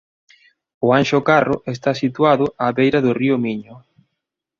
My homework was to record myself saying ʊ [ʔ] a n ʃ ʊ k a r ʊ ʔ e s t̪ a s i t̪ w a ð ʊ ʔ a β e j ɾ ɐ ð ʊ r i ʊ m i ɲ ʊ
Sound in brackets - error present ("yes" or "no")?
yes